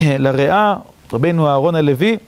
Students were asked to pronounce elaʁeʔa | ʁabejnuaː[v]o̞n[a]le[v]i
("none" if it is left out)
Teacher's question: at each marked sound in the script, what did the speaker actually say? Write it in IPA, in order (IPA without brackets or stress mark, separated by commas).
ʁ, a, v